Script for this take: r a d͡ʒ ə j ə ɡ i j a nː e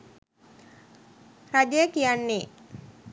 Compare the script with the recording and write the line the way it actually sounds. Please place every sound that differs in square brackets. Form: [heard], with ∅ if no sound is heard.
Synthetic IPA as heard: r a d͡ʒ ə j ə [k] i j a nː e